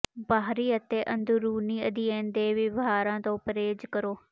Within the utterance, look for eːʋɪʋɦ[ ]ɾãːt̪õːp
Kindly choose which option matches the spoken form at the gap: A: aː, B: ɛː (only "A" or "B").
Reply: A